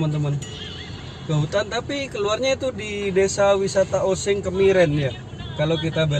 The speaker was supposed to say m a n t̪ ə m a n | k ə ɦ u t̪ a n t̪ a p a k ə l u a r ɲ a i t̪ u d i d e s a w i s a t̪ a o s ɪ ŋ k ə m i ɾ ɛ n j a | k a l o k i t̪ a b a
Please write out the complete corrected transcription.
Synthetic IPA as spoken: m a n t̪ ə m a n | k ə ɦ u t̪ a n t̪ a p i k ə l u a r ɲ a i t̪ u d i d e s a w i s a t̪ a o s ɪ ŋ k ə m i ɾ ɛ n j a | k a l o k i t̪ a b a

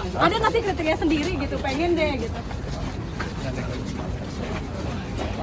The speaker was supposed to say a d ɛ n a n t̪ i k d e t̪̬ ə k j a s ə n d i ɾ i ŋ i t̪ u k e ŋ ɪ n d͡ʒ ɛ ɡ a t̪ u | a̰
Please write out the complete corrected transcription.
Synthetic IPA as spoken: a d a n a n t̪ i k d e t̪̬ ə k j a s ə n d i ɾ i ɡ i t̪ u p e ŋ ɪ n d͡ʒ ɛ ɡ i t̪ u | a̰

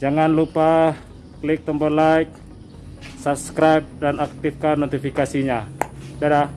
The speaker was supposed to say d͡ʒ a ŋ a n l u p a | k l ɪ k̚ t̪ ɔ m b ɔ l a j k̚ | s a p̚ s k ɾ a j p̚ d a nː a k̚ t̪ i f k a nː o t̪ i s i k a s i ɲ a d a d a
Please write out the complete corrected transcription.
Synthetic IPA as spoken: d͡ʒ a ŋ a n l u p a | k l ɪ k̚ t̪ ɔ m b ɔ l a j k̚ | s a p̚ s k ɾ a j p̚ d a n a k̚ t̪ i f k a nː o t̪ i f i k a s i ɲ a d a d a

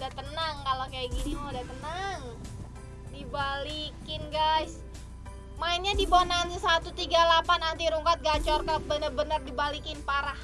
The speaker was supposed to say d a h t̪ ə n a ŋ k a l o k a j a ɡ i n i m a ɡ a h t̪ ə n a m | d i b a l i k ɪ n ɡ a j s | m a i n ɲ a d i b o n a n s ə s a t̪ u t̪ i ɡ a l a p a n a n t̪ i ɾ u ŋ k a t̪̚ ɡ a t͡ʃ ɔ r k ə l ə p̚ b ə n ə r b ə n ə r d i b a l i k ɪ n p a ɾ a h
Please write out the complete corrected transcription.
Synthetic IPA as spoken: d a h t̪ ə n a ŋ k a l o k a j a ɡ i n i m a d a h t̪ ə n a ŋ | d i b a l i k ɪ n ɡ a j s | m a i n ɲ a d i b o n a n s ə s a t̪ u t̪ i ɡ a l a p a n a n t̪ i ɾ u ŋ k a t̪̚ ɡ a t͡ʃ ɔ r k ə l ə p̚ b ə n ə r b ə n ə r d i b a l i k ɪ n p a ɾ a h

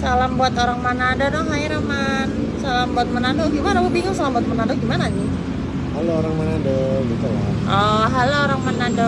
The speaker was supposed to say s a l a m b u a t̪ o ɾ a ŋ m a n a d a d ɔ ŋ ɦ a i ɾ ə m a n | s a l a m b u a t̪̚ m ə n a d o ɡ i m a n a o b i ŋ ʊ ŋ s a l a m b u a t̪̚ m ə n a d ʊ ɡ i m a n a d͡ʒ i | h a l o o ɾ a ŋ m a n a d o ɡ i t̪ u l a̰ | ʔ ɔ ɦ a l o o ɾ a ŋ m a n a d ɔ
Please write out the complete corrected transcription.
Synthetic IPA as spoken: s a l a m b u a t̪ o ɾ a ŋ m a n a d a d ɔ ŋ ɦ a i ɾ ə m a n | s a l a m b u a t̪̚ m ə n a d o ɡ i m a n a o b i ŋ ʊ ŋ s a l a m b u a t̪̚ m ə n a d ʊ ɡ i m a n a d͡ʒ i | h a l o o ɾ a ŋ m a n a d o ɡ i t̪ u l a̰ | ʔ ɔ ɦ a l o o ɾ a ŋ m a n a d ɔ

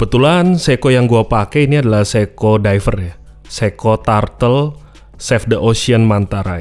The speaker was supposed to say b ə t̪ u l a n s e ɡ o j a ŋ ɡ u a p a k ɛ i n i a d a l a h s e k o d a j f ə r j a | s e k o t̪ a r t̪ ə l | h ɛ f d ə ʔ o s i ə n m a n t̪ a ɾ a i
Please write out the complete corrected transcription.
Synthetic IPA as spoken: b ə t̪ u l a n s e k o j a ŋ ɡ u a p a k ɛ i n i a d a l a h s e k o d a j f ə r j a | s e k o t̪ a r t̪ ə l | s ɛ f d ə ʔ o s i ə n m a n t̪ a ɾ a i

